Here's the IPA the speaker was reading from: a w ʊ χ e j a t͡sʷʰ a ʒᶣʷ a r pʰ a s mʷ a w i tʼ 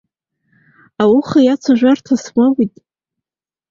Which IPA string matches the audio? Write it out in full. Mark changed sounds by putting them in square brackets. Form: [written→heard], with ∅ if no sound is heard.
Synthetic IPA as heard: a w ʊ χ [e→a] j a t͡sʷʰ a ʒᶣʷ a r [pʰ→tʰ] a s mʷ a w i tʼ